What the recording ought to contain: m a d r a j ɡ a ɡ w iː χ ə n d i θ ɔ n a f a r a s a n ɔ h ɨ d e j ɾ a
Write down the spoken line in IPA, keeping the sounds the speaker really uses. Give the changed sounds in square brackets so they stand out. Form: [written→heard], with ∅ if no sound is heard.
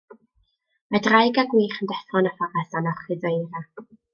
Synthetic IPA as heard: m a d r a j ɡ a ɡ w iː χ ə n d [i→ɛ] θ ɔ n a f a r a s a n ɔ [h→χ] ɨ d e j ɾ a